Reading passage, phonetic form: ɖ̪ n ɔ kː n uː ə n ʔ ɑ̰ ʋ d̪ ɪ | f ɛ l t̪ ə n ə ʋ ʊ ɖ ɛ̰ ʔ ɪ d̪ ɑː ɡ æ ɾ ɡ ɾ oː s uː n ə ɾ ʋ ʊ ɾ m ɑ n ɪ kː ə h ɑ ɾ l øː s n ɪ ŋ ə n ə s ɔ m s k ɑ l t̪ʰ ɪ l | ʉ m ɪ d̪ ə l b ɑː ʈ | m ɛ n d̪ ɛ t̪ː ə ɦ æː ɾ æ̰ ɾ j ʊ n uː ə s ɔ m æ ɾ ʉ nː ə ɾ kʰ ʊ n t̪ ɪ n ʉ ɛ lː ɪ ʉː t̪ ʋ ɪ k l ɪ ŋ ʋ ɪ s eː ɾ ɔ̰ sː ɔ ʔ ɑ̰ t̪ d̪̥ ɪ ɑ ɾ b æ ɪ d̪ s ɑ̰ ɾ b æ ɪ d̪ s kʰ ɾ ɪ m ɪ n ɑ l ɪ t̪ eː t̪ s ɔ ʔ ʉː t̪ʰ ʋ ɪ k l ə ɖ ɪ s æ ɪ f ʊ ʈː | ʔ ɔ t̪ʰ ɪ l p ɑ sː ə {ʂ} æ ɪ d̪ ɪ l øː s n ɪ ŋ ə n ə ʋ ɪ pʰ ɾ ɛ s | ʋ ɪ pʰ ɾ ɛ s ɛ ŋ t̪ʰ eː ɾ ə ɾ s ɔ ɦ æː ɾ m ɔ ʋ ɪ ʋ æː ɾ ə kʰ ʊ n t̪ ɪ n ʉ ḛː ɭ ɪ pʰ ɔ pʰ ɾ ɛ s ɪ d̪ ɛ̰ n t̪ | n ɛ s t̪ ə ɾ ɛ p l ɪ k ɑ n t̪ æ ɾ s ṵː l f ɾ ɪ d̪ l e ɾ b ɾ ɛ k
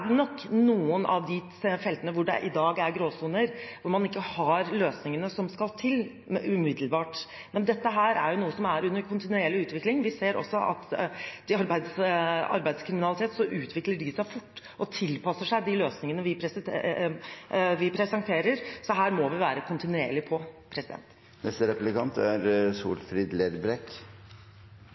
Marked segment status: correct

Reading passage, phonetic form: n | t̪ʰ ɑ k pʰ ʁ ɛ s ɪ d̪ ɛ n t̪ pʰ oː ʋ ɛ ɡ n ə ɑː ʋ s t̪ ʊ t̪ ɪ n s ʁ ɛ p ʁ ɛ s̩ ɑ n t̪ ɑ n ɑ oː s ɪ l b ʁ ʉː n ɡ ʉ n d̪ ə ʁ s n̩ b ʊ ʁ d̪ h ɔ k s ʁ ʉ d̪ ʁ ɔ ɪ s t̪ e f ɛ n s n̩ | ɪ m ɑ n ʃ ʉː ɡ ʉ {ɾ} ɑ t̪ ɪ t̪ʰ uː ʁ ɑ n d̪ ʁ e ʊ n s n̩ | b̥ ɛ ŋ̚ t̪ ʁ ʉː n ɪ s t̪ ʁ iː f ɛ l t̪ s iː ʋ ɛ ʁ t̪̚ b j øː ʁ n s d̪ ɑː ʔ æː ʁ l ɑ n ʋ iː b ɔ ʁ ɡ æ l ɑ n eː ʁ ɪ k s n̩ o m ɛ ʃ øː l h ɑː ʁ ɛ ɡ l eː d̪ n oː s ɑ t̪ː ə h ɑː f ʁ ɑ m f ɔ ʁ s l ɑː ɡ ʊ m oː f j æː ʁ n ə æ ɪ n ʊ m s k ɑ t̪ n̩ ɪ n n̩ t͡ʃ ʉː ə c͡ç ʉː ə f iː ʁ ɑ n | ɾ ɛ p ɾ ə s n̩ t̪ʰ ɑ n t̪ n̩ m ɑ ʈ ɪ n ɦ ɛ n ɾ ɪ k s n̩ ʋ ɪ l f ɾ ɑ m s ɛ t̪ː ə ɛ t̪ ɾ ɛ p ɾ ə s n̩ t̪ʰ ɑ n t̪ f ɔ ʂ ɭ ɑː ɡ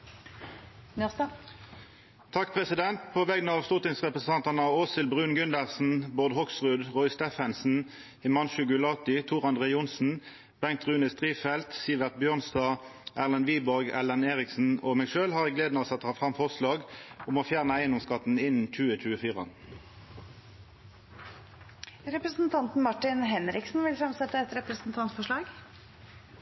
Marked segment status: incorrect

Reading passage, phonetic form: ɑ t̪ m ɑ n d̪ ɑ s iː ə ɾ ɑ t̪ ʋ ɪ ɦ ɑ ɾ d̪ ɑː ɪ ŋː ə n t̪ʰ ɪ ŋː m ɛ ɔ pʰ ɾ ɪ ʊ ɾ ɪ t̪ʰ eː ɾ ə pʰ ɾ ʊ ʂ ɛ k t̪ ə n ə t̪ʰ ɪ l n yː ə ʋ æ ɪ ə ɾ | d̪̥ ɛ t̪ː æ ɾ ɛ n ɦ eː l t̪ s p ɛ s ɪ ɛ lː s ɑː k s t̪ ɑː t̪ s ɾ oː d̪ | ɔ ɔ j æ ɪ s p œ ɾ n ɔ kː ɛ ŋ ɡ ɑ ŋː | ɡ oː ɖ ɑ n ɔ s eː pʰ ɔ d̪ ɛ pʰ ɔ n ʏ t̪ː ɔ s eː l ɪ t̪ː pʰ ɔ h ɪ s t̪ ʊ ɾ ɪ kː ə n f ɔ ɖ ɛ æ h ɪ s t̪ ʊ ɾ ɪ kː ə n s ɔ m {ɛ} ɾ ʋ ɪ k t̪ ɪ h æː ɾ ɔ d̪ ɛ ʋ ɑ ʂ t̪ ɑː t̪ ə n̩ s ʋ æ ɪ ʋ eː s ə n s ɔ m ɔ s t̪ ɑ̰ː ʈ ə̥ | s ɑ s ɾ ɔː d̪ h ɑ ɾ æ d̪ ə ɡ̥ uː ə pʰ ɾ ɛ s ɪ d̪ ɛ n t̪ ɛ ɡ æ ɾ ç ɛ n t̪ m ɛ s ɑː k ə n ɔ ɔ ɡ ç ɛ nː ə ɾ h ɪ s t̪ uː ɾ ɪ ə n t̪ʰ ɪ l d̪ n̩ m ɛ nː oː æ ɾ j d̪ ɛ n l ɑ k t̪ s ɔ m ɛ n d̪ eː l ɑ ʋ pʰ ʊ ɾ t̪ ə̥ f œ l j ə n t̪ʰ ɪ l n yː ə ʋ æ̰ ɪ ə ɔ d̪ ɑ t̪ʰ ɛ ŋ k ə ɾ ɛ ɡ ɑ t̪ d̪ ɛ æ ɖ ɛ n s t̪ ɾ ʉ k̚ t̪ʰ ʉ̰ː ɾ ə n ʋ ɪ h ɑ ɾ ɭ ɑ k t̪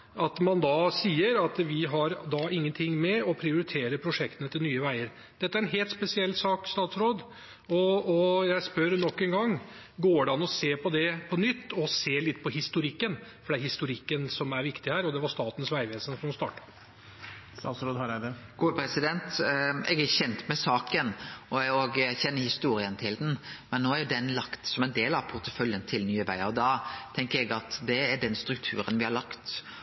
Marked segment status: incorrect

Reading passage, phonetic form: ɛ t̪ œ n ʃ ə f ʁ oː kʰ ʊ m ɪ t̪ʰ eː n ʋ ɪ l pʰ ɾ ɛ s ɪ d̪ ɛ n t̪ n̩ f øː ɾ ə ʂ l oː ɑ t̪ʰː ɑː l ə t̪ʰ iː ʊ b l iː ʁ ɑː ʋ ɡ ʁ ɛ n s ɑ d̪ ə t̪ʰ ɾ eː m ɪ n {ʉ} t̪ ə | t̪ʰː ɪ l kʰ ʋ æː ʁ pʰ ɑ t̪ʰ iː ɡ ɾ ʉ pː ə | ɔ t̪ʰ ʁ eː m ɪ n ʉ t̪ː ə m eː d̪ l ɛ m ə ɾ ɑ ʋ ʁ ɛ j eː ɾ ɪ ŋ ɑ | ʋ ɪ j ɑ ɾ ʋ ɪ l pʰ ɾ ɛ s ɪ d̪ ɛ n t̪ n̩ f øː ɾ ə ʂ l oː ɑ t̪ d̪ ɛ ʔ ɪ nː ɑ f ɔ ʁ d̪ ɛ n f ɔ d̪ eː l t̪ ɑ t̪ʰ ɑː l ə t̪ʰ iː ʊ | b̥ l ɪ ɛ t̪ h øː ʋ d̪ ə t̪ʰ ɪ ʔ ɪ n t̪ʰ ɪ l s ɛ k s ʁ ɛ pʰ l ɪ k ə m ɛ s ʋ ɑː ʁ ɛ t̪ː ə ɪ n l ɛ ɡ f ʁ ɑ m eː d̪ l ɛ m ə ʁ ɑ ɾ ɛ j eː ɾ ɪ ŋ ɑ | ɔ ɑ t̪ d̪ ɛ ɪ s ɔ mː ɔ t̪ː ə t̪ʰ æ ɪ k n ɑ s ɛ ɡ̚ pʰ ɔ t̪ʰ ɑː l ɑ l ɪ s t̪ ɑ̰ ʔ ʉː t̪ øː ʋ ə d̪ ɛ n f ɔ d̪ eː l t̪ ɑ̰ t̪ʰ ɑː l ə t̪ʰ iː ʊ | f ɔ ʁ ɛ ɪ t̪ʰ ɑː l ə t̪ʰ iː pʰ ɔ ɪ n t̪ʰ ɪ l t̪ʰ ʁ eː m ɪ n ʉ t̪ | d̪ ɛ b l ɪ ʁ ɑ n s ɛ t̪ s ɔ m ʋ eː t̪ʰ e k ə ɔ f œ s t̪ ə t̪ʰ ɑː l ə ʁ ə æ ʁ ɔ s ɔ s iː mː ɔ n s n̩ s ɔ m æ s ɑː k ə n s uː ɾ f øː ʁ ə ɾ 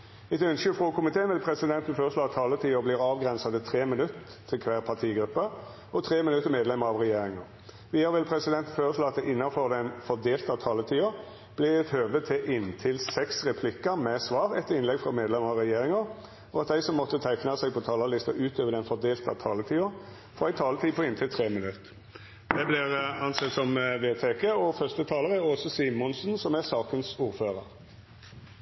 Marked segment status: correct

